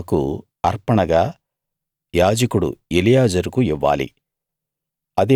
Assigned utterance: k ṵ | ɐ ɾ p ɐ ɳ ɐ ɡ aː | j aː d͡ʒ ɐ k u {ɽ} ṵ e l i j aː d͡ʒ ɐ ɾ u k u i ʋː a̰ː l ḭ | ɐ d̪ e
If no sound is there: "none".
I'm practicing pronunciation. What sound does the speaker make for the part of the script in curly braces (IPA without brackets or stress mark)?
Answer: ɽ